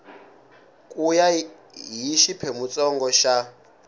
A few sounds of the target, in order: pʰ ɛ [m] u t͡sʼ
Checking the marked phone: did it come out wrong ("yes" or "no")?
no